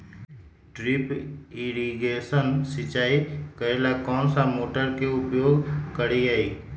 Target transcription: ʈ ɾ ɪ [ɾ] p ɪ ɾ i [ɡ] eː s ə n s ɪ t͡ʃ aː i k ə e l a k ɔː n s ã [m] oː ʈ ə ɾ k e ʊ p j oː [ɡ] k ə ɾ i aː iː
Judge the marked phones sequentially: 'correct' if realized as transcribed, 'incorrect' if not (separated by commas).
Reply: incorrect, correct, correct, correct